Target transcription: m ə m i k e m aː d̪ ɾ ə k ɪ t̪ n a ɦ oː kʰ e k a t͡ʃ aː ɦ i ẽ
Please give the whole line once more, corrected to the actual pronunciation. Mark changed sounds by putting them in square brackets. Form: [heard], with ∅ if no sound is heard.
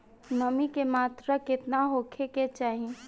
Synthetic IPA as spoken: m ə m i k e m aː [t̪] ɾ ə k ɪ t̪ n a ɦ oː kʰ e k [e] t͡ʃ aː ɦ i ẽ